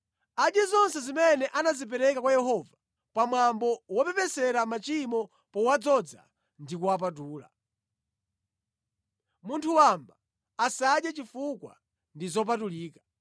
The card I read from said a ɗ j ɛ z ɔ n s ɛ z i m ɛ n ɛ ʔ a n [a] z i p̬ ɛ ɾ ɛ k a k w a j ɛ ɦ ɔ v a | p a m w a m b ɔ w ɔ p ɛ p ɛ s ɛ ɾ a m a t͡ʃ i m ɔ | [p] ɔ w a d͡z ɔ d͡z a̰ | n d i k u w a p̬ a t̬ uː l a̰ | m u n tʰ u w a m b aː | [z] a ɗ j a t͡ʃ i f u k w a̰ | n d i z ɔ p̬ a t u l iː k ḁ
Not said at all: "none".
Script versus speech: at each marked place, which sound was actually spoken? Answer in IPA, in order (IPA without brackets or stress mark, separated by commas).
a, p, s